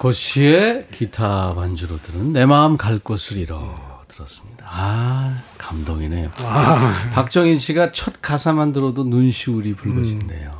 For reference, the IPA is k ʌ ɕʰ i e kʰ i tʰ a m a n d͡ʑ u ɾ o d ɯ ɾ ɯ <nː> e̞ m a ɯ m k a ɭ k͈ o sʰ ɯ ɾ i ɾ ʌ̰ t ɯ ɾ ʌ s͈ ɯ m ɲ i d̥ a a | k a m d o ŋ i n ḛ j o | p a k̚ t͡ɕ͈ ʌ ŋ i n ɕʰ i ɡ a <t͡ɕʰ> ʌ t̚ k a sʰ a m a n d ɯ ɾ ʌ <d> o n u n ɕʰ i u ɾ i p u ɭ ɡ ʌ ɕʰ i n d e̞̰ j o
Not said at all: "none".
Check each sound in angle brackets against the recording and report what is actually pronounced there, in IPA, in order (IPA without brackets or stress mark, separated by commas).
nː, t͡ɕʰ, d